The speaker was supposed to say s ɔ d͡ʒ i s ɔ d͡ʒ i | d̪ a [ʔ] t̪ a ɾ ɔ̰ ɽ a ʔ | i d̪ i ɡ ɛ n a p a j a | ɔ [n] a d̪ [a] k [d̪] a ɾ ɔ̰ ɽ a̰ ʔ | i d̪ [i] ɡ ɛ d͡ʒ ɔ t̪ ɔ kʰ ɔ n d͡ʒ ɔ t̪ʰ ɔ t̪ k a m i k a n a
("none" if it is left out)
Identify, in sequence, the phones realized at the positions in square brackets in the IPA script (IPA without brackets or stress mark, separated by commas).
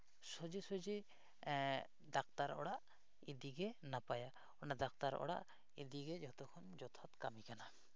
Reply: k, n, a, t̪, i